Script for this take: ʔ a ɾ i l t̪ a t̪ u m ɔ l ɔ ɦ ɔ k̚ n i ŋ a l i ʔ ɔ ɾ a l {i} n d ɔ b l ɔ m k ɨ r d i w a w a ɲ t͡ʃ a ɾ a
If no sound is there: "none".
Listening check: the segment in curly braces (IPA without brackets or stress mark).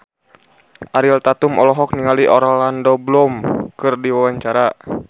a